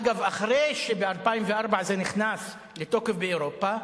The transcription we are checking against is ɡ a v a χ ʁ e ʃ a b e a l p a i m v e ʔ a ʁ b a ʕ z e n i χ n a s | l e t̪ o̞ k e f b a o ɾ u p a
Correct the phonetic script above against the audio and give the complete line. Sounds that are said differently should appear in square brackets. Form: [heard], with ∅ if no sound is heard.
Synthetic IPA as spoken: ɡ a v a χ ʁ e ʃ [e] b e a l p a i m v e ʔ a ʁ b a ʕ z e n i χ n a s | l e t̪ o̞ k e f b [e] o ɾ [o] p a